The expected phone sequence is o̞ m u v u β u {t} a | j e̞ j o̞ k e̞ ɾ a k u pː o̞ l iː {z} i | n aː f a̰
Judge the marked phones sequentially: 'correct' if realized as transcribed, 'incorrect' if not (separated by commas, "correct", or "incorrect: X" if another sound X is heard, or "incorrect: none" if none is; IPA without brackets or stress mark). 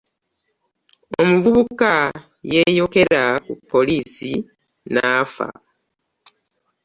incorrect: k, incorrect: s